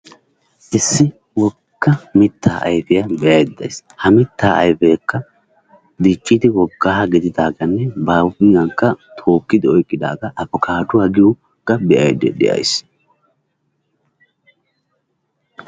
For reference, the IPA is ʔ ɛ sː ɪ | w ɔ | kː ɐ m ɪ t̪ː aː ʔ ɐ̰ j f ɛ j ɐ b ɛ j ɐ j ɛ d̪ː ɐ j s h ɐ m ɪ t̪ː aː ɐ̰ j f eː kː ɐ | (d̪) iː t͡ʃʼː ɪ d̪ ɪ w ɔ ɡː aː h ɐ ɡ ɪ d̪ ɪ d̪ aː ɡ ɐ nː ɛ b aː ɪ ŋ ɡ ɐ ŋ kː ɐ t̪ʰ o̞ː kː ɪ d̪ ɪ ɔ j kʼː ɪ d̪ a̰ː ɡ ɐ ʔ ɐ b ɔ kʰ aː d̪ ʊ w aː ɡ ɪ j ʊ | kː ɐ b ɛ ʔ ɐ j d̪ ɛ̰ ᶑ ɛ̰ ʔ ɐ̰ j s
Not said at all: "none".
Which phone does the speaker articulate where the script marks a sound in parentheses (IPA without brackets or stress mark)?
d̪